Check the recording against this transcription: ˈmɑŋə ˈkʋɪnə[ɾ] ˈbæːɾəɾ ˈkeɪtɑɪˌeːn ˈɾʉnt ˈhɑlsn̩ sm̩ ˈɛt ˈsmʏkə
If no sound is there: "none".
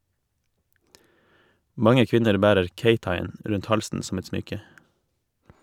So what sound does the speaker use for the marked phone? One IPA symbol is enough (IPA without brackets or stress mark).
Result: ɾ